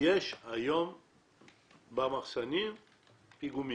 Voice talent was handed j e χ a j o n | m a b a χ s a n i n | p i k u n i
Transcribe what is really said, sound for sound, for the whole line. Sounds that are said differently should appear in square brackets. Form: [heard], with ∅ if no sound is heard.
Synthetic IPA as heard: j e [ʃ] a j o [m] | [b] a [m] a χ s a n i [m] | p i [ɡ] u [m] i